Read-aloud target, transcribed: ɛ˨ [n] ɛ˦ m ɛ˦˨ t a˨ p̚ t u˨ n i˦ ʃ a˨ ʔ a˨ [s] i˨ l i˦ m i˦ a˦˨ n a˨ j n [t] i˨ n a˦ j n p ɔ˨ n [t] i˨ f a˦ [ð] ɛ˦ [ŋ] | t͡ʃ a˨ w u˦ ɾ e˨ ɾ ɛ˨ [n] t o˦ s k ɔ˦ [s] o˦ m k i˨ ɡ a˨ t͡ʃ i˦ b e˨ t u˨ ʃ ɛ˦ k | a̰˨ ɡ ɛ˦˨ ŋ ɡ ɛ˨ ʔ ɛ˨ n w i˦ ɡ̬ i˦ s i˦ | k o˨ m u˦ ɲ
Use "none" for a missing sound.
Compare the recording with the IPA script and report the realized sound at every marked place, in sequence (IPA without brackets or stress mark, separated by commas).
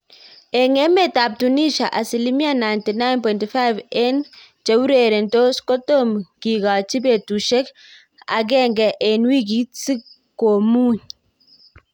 ŋ, s, t, t, v, n, n, t